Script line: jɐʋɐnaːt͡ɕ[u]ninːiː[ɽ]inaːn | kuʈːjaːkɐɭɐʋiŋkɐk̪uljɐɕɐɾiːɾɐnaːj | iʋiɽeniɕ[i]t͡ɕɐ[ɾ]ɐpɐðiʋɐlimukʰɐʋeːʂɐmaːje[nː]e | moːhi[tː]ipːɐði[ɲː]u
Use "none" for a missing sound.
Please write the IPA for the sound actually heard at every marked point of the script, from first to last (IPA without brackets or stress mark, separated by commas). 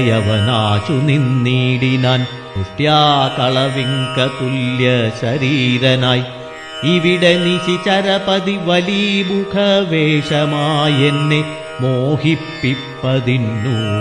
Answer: u, ɽ, i, ɾ, nː, pː, nː